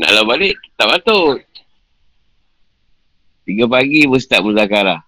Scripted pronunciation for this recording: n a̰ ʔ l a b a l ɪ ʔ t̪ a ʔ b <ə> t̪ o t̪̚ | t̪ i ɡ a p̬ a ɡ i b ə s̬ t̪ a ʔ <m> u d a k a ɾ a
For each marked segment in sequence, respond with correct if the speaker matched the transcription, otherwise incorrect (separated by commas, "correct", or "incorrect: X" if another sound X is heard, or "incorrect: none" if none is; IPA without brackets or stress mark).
incorrect: a, correct